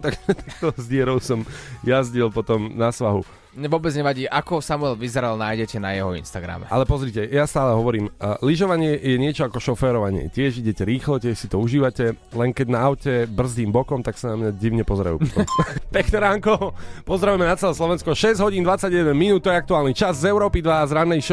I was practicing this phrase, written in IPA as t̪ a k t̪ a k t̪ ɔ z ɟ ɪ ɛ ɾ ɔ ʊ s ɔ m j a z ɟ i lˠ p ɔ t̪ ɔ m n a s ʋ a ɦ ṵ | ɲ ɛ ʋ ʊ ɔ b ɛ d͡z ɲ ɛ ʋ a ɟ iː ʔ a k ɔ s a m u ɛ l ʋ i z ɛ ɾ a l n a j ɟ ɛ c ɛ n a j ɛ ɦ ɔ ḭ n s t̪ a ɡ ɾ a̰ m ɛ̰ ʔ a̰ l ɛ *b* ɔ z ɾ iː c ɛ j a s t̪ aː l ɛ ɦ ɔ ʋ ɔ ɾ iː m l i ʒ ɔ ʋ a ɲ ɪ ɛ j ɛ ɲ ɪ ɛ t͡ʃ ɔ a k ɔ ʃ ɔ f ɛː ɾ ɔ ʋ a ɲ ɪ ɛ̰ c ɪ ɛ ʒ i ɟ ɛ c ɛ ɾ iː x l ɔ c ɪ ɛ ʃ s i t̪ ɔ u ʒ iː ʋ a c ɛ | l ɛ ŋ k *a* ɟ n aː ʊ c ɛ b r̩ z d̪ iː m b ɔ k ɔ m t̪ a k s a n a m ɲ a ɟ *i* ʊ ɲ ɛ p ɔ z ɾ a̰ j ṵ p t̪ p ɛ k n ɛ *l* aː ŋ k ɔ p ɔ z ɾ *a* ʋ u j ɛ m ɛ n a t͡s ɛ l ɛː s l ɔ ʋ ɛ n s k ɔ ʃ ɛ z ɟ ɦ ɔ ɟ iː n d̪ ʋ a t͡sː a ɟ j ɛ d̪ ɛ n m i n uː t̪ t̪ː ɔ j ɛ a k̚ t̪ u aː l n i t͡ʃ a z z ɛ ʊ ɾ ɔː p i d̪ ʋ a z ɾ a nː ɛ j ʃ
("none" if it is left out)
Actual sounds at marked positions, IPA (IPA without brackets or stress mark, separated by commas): p, ɛ, i, ɾ, a